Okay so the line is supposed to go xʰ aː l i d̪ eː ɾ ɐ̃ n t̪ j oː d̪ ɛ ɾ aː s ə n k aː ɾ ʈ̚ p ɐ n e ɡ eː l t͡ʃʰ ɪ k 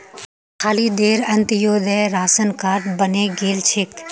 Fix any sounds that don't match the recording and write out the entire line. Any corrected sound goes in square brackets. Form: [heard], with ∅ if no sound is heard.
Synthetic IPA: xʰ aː l i d̪ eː ɾ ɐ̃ n t̪ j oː d̪ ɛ ɾ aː s ə n k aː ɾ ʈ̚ [b] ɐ n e ɡ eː l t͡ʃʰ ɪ k